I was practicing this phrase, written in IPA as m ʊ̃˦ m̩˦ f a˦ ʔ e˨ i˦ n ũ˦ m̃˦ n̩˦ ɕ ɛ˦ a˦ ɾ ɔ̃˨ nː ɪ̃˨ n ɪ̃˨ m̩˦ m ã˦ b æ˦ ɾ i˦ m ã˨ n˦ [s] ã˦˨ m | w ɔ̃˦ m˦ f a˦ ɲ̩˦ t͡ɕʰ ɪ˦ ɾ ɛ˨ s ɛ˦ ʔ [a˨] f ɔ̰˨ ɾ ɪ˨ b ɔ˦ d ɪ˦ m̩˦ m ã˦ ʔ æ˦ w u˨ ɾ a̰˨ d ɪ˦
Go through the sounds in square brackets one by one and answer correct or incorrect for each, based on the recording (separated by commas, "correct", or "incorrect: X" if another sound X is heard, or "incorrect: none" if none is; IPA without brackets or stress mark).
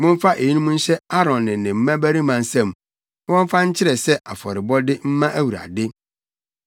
correct, correct